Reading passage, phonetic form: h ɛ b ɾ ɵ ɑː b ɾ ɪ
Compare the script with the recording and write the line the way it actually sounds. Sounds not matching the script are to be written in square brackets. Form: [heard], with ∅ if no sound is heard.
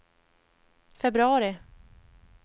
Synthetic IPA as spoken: [f] ɛ b ɾ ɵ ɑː [∅] ɾ ɪ